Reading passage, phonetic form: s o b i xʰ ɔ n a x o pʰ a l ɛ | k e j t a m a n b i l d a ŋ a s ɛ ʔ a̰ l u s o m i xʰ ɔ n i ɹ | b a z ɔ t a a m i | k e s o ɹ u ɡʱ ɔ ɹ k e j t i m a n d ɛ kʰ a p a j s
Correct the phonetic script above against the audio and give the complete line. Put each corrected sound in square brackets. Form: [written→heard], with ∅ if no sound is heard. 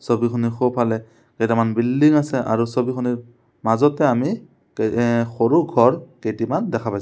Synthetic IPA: s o b i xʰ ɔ n [a→i] x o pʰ a l ɛ | k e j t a m a n b i l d [a→i] ŋ a s ɛ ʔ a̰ [l→ɹ] u s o [m→b] i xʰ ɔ n i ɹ | [b→m] a z ɔ t [a→ɛ] a m i | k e [s→x] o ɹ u ɡʱ ɔ ɹ k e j t i m a n d ɛ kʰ a p a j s